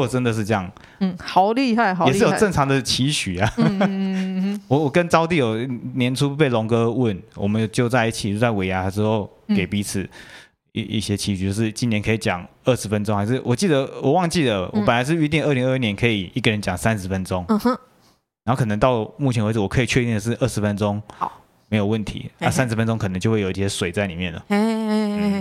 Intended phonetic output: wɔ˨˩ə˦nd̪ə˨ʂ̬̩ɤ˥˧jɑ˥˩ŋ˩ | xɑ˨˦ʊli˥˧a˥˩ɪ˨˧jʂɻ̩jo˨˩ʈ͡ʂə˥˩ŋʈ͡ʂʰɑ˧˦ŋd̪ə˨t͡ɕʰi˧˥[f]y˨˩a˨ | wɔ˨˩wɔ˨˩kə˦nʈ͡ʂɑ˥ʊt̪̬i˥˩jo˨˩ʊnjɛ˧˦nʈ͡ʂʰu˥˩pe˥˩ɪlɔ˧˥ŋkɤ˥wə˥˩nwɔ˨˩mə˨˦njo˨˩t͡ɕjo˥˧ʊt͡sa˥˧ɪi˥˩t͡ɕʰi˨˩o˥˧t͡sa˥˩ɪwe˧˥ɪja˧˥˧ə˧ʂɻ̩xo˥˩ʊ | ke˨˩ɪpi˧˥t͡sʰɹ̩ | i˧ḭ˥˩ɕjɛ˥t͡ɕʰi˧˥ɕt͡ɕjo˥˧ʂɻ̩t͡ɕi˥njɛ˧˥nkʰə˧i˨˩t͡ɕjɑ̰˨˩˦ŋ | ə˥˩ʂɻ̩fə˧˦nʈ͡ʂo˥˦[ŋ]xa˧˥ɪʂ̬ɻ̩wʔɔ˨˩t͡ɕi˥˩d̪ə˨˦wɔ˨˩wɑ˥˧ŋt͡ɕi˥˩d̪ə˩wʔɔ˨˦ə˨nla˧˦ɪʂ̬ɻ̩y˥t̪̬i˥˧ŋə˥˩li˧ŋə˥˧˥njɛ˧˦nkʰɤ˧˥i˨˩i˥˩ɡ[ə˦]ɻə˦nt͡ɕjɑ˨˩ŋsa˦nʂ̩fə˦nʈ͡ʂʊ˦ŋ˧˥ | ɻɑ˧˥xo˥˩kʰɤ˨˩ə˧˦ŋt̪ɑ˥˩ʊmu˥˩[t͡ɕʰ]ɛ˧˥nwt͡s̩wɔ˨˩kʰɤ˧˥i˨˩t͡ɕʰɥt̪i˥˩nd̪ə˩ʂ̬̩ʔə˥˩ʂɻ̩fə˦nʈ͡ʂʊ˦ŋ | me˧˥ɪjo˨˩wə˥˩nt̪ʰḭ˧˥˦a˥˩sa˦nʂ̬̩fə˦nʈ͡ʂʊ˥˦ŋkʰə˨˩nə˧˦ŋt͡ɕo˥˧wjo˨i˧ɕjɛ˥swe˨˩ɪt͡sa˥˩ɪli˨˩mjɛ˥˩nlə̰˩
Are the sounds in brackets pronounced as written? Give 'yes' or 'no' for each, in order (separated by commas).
no, yes, no, yes